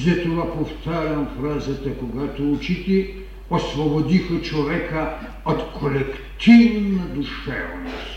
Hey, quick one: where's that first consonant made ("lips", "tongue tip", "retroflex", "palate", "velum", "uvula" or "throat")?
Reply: tongue tip